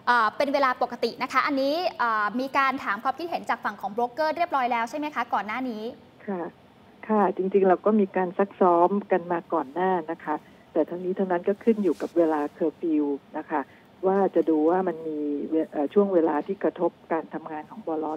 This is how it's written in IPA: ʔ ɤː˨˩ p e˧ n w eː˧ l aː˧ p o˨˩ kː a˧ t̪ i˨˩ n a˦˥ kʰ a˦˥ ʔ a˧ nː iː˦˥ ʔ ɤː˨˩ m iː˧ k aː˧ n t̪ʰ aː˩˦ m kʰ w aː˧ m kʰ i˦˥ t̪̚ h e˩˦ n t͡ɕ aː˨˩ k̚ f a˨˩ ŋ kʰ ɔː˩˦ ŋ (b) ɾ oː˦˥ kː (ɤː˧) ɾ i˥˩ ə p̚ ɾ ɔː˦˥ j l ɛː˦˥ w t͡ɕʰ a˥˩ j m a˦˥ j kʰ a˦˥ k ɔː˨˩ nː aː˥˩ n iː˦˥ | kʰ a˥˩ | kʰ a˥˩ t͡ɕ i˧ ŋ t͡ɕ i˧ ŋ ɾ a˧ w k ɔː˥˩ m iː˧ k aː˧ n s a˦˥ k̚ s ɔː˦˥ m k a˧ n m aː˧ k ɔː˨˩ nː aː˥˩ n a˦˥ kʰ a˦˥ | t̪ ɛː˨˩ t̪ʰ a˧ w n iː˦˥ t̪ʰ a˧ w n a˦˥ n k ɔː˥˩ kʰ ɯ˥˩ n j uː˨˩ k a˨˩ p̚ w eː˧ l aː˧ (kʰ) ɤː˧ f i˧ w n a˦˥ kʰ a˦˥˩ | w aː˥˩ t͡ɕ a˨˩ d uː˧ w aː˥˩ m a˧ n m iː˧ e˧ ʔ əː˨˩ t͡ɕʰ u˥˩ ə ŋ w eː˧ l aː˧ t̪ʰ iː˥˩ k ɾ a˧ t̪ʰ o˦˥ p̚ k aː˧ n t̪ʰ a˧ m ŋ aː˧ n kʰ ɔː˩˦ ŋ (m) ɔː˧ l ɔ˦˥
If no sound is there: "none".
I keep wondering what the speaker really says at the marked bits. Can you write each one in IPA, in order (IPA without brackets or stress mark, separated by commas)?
b, ɤː˥˩, kʰ, b